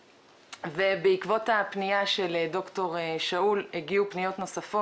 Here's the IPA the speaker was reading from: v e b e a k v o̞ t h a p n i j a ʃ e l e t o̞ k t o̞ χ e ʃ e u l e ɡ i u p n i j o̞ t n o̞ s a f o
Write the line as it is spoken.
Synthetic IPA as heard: v e b e i k v o̞ t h a p n i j a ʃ e l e d o̞ k t o̞ ʁ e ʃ a u l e ɡ i u p n i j o̞ t n o̞ s a f o